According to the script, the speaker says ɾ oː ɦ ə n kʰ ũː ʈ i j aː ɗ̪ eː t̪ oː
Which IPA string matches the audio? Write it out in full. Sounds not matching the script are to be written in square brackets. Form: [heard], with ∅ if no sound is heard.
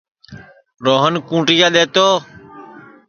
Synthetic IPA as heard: ɾ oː ɦ ə n [k] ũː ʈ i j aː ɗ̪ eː t̪ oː